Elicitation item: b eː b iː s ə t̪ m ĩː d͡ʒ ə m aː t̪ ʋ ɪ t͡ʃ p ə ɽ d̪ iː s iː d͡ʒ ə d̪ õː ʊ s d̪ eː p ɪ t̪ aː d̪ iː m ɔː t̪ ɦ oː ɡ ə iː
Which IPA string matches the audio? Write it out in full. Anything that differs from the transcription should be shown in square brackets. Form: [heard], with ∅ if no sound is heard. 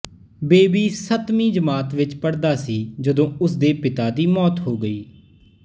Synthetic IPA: b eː b iː s ə t̪ m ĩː d͡ʒ ə m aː t̪ ʋ ɪ t͡ʃ p ə ɽ d̪ [aː] s iː d͡ʒ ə d̪ õː ʊ s d̪ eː p ɪ t̪ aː d̪ iː m ɔː t̪ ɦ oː ɡ ə iː